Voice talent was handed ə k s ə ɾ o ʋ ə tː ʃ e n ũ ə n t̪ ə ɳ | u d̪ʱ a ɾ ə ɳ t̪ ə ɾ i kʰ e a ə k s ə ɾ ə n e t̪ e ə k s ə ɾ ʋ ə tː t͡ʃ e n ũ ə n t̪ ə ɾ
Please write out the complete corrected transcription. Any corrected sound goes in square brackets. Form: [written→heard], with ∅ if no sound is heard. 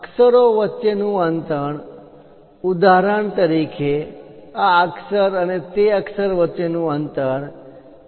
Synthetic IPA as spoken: ə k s ə ɾ o ʋ ə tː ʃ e n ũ ə n t̪ ə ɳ | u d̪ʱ a ɾ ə ɳ t̪ ə ɾ i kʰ e a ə k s ə ɾ ə n e t̪ e ə k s ə ɾ ʋ ə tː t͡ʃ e n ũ ə n t̪ ə ɾ